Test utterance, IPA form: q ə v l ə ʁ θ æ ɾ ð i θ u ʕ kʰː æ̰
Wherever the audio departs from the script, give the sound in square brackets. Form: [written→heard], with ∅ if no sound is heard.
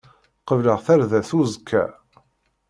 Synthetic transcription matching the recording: q ə v l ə ʁ θ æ ɾ ð [i→æ] θ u [ʕ→z] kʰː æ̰